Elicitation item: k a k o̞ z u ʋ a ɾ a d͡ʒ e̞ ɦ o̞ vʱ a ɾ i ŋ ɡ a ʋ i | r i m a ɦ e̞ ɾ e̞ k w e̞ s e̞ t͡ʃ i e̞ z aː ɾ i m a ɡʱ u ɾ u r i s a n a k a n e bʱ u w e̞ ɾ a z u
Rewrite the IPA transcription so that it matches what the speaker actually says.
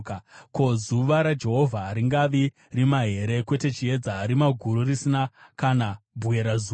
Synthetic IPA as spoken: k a k o̞ z u ʋ a ɾ a d͡ʒ e̞ ɦ o̞ vʱ a ɾ i ŋ ɡ a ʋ i | r i m a ɦ e̞ ɾ e̞ k w e̞ t e̞ t͡ʃ i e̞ d͡z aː ɾ i m a ɡʱ u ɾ u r i s i n a k a n a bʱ u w e̞ ɾ a z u